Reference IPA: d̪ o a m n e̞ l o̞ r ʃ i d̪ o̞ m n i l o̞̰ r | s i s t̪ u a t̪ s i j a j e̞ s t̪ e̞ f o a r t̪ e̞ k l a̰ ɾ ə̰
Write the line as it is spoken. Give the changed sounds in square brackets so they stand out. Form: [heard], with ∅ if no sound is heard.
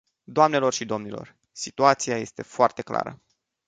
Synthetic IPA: d̪ o a m n e̞ l o̞ r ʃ i d̪ o̞ m n i l o̞̰ r | s i [∅] t̪ u a t̪ s i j a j e̞ s t̪ e̞ f o a r t̪ e̞ k l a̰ ɾ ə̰